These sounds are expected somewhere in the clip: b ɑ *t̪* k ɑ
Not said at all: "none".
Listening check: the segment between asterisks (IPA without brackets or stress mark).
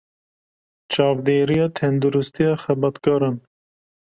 t̪